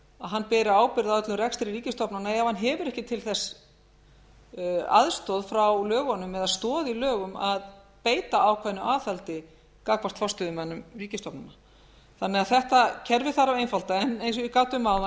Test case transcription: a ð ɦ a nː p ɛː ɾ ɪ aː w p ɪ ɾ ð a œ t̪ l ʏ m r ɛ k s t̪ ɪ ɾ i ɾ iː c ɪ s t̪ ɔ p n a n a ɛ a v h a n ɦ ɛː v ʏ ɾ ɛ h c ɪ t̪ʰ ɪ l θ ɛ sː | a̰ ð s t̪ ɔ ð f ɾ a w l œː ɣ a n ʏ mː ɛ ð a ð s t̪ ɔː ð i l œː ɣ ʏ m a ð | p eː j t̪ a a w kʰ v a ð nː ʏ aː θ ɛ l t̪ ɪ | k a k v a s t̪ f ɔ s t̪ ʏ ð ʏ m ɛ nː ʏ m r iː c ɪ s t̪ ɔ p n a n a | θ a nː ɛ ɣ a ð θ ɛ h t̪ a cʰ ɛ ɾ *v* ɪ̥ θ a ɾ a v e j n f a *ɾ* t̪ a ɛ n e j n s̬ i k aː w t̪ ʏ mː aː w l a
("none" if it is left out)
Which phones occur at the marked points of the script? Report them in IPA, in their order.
v, l

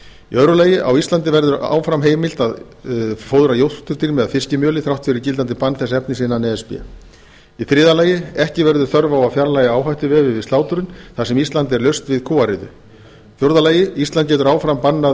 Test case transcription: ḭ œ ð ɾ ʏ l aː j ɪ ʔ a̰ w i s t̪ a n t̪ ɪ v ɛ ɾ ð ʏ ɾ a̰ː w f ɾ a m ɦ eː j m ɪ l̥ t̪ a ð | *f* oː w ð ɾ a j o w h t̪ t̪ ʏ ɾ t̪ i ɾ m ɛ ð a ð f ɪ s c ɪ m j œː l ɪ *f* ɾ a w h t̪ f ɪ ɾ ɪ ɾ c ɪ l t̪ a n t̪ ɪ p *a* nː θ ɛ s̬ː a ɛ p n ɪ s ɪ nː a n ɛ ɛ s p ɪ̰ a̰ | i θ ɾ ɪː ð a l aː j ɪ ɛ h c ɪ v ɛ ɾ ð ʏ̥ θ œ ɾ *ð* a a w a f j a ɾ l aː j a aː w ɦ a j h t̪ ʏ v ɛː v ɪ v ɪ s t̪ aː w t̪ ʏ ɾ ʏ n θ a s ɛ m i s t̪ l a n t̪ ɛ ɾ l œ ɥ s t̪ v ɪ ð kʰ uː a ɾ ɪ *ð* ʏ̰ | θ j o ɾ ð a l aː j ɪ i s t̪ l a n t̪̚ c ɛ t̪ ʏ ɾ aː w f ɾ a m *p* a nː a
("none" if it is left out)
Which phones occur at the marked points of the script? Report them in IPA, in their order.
f, θ, a, v, ð, p

